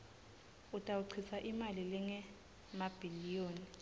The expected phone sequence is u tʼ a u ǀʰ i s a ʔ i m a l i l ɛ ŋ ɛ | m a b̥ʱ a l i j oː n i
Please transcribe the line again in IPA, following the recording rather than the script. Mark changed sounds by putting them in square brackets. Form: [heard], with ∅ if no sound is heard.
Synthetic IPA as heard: u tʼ a u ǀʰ i s a ʔ i m a l i l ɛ ŋ ɛ | m a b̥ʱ [i] l i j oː n i